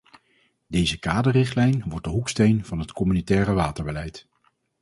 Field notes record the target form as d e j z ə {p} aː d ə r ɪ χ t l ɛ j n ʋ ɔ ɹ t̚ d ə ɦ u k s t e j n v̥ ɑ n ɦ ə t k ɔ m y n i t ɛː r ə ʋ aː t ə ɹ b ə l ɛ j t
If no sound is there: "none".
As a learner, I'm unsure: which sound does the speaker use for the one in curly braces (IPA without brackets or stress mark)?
k